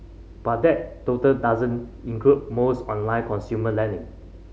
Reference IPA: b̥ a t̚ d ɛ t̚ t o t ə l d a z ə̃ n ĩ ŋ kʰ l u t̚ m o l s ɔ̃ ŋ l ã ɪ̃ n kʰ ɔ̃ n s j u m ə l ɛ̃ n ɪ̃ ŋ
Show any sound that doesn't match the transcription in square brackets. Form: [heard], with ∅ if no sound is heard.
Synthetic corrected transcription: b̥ a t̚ d ɛ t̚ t o t ə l d a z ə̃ n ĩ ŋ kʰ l u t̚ m o [∅] s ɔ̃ [n] l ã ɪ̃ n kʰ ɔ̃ n s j u m ə l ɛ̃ n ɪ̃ ŋ